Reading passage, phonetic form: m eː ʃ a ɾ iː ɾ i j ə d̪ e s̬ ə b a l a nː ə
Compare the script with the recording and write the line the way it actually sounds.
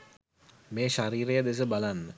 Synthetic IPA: m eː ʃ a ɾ iː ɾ e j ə d̪ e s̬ ə b a l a nː ə